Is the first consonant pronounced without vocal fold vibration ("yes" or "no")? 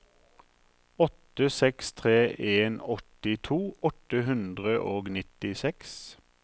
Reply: yes